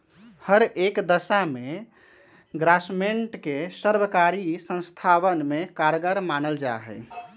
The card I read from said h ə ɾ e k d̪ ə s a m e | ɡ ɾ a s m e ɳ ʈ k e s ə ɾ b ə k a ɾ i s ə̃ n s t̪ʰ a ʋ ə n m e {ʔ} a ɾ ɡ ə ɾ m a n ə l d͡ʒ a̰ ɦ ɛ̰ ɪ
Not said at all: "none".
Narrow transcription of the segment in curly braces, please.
k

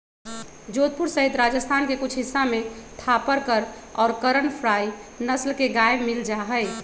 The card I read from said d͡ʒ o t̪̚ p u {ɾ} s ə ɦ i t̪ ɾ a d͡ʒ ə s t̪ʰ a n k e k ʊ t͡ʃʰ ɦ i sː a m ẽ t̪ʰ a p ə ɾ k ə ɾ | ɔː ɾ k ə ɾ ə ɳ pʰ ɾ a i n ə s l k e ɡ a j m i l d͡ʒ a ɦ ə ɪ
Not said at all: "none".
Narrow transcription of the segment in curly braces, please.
ɾ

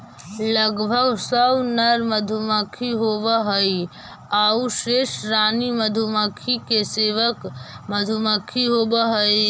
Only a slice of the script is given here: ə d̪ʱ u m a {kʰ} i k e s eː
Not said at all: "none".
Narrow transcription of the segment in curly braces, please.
kʰ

